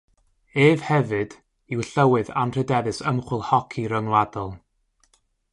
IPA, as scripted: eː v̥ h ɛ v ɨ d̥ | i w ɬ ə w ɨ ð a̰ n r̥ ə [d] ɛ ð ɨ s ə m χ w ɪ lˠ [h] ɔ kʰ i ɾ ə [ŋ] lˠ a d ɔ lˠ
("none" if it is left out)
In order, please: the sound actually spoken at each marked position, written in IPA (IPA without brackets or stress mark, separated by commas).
d, h, ŋ